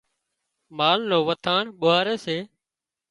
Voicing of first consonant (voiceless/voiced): voiced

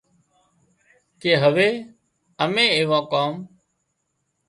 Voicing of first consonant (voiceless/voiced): voiceless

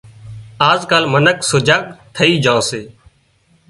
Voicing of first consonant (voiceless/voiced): voiced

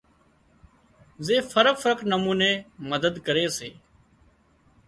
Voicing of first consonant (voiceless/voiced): voiced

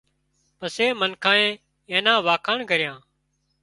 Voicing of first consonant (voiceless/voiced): voiceless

